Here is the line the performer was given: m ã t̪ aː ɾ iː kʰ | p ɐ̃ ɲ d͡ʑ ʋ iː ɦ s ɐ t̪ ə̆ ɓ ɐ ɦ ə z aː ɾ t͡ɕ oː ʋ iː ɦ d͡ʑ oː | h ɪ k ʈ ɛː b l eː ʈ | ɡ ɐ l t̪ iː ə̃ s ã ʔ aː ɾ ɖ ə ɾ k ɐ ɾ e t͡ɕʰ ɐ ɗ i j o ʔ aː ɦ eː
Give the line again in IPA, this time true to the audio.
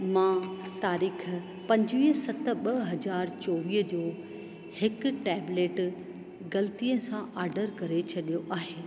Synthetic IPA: m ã t̪ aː ɾ iː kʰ | p ɐ̃ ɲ d͡ʑ ʋ iː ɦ s ɐ t̪ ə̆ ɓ ɐ ɦ ɐ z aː ɾ t͡ɕ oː ʋ iː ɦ d͡ʑ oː | h ɪ k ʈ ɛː b l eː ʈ | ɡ ɐ l t̪ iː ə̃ s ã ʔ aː ɾ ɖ ə ɾ k ɐ ɾ e t͡ɕʰ ɐ ɗ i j o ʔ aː ɦ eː